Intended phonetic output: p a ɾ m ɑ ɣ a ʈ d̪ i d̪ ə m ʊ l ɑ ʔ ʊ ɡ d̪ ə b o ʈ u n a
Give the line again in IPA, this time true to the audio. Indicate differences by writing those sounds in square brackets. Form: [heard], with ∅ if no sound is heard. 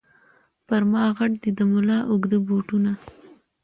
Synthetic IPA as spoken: p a ɾ m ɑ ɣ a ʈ d̪ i d̪ ə m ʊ l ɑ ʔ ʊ ɡ d̪ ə b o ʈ u n a